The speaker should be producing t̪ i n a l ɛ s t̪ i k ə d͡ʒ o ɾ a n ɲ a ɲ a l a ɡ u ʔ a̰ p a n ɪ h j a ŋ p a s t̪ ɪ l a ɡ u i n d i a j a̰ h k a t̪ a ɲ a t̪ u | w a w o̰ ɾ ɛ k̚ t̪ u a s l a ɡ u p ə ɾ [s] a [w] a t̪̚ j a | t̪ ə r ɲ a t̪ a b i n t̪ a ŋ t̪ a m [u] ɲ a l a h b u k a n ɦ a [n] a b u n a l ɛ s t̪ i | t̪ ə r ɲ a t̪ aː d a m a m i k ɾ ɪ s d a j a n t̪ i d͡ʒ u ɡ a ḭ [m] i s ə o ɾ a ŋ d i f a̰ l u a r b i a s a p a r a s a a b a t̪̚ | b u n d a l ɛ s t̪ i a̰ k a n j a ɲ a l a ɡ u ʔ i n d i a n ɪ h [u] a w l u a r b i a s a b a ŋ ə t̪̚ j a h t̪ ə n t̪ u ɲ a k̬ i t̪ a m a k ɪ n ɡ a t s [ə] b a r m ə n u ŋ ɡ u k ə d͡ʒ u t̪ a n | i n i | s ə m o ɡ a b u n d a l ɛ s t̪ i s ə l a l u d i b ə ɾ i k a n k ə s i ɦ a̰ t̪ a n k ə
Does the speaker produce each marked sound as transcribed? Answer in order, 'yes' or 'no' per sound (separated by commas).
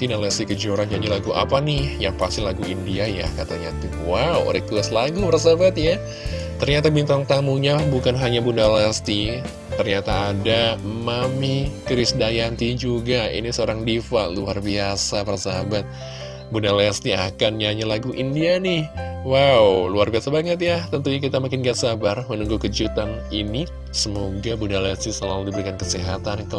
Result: yes, no, yes, no, no, no, no